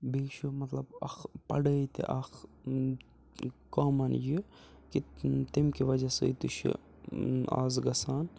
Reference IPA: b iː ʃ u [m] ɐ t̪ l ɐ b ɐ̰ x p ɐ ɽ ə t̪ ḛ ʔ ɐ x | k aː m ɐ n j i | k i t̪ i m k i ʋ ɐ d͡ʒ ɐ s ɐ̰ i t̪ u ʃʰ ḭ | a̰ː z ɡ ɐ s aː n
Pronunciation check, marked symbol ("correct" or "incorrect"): correct